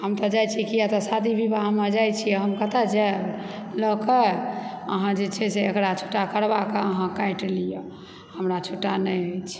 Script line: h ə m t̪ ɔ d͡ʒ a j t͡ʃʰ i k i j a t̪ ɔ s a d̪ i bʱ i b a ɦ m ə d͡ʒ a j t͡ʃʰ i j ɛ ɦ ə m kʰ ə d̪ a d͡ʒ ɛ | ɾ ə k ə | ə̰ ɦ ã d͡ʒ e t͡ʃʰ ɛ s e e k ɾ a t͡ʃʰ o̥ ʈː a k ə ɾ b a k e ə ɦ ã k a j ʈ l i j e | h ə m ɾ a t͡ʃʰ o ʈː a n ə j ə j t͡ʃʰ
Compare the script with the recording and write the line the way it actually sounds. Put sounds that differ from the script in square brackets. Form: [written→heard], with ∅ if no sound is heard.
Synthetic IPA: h ə m t̪ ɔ d͡ʒ a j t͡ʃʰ i k i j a t̪ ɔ s a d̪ i bʱ i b a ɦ m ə d͡ʒ a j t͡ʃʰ i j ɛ ɦ ə m [kʰ→k] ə [d̪→t̪] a d͡ʒ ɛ | [ɾ→l] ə k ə | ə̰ ɦ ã d͡ʒ e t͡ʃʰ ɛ s e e k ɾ a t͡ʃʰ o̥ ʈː a k ə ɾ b a k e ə ɦ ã k a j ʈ l i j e | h ə m ɾ a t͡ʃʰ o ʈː a n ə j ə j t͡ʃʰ